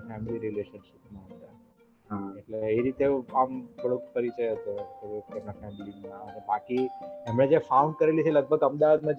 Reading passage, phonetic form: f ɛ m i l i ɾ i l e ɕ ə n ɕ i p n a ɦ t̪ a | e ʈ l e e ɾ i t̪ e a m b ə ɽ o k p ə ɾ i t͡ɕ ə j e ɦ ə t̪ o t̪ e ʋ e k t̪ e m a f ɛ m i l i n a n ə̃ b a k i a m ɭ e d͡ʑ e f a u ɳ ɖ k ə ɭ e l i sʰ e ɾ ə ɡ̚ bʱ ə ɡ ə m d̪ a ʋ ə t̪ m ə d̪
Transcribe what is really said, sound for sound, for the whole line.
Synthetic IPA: f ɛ m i l i ɾ i l e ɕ ə n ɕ i p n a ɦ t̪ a | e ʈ l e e ɾ i t̪ e a m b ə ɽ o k p ə ɾ i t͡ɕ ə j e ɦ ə t̪ o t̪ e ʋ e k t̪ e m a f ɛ m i l i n a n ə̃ b a k i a m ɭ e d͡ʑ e f a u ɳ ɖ k ə ɾ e l i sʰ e l ə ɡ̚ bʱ ə ɡ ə m d̪ a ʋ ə t̪ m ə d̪